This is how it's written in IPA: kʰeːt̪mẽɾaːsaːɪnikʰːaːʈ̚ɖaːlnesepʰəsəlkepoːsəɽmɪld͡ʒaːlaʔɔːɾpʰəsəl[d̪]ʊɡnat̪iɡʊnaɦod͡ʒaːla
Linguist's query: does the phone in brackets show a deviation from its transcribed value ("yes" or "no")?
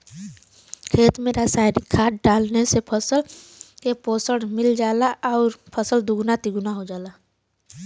no